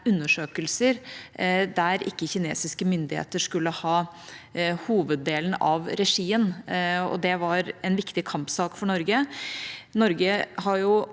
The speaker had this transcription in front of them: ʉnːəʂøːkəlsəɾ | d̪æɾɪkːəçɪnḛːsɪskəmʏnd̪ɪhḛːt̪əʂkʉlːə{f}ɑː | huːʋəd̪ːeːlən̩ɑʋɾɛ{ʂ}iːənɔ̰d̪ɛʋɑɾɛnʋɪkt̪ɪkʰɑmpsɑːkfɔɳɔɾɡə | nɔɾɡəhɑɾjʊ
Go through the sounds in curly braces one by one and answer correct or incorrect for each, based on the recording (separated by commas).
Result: incorrect, correct